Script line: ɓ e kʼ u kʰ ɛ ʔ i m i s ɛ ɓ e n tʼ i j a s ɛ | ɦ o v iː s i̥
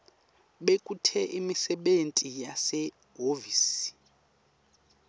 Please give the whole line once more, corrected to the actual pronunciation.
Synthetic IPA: ɓ e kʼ u tʰ ɛ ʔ i m i s ɛ ɓ e n tʼ i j a s ɛ | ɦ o v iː s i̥